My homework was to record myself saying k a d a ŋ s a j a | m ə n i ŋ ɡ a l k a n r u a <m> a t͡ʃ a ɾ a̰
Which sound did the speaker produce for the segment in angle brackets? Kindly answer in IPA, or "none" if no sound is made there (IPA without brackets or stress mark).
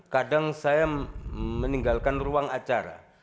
ŋ